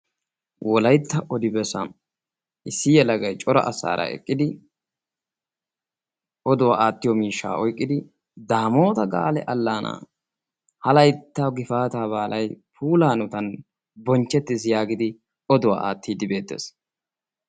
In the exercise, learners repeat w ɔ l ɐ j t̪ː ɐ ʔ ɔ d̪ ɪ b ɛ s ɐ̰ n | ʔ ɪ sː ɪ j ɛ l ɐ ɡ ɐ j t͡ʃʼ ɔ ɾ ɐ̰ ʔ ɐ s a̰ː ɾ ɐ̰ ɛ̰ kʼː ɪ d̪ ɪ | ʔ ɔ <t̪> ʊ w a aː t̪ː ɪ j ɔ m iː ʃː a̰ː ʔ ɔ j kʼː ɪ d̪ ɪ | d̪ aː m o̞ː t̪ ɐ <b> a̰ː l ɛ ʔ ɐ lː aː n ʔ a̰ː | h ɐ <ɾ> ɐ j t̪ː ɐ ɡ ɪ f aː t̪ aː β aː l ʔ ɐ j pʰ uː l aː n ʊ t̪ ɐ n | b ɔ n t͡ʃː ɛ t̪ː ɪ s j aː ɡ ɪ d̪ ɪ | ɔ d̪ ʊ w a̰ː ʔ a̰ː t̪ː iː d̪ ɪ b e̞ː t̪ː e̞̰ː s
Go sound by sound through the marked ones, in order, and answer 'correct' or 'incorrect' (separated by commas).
incorrect, incorrect, incorrect